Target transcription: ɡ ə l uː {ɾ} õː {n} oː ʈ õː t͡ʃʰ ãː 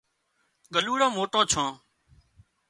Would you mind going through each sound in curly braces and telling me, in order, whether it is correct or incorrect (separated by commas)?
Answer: incorrect, incorrect